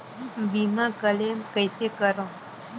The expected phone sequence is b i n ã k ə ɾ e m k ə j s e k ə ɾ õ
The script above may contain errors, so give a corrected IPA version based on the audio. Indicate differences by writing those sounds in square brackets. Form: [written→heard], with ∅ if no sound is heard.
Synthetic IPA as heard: b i [n→m] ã k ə [ɾ→l] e m k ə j s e k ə ɾ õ